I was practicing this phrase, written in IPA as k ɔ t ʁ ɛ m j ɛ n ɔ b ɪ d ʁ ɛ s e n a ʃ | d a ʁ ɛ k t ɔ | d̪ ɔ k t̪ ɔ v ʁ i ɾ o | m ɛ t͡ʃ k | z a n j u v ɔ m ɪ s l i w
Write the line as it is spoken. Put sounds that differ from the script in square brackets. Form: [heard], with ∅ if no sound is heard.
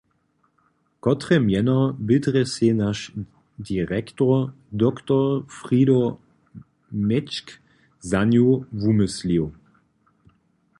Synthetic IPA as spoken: k ɔ t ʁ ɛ m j ɛ n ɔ b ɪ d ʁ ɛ s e n a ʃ | d [i] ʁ ɛ k t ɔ | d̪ ɔ k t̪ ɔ [f] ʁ i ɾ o | m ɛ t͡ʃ k | z a n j u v [u] m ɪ s l i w